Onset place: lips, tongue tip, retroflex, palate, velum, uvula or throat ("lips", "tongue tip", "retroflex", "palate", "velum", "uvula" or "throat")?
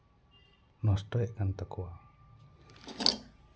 tongue tip